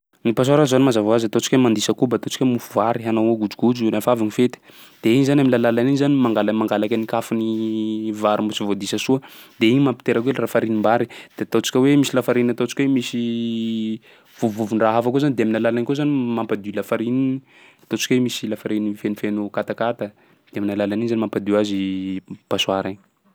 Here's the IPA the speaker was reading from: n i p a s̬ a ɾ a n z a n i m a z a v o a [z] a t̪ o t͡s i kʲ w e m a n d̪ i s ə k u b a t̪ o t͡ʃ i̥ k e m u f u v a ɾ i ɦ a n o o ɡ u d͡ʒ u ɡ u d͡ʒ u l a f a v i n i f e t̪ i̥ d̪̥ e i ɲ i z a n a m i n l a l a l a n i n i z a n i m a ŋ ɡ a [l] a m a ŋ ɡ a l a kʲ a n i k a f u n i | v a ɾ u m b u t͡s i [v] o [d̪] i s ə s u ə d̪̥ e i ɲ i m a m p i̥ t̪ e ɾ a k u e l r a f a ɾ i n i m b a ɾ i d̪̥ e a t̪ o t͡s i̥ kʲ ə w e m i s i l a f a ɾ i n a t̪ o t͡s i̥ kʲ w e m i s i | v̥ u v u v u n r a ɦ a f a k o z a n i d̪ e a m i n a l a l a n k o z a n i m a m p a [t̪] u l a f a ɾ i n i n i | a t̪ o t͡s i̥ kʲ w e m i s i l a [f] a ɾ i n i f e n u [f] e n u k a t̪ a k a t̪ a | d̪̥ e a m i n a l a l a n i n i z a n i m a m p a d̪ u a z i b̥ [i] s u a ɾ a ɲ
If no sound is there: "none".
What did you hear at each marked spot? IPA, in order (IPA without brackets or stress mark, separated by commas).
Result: z, l, v, d̪, d̪, f, f, a